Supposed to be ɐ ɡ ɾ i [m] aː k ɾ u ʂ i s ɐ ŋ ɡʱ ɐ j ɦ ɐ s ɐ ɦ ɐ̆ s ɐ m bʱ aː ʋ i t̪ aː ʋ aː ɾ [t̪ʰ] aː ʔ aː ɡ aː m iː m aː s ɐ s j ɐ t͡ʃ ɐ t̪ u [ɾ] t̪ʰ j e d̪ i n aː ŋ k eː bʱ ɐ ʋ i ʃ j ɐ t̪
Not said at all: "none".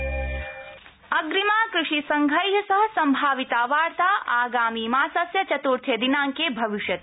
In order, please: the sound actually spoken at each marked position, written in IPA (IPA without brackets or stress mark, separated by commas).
m, t̪, ɾ